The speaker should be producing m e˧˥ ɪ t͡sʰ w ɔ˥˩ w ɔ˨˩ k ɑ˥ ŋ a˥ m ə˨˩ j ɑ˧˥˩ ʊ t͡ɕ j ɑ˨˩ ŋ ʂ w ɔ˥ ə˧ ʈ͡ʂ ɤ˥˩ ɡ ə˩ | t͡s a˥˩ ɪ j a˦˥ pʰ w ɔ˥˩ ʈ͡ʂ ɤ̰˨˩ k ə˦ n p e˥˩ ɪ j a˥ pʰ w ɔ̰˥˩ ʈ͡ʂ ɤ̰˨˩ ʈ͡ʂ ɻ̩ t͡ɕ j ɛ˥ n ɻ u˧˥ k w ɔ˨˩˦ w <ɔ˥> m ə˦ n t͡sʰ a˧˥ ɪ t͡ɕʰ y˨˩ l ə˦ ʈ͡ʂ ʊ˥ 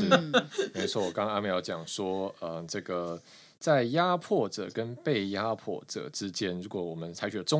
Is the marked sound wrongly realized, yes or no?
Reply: yes